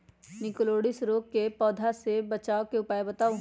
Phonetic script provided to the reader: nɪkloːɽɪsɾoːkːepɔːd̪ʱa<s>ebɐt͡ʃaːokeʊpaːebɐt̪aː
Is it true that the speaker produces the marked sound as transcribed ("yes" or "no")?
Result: yes